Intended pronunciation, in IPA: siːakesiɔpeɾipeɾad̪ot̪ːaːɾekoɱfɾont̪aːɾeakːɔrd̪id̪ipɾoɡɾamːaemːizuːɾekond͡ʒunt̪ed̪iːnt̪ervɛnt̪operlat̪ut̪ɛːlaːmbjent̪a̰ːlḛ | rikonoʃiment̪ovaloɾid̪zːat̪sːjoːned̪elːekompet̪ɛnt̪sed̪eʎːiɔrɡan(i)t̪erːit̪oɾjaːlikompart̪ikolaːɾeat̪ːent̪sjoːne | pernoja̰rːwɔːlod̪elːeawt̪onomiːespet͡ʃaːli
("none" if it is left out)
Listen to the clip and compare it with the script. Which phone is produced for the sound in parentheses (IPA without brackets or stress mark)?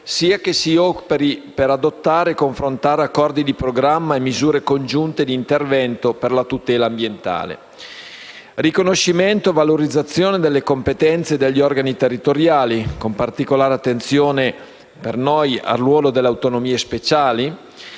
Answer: i